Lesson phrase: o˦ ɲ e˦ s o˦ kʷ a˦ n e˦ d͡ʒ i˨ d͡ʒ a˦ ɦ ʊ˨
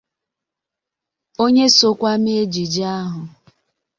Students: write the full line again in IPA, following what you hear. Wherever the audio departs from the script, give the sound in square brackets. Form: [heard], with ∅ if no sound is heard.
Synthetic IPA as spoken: o˦ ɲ e˦ s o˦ kʷ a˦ [m] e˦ d͡ʒ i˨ d͡ʒ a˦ ɦ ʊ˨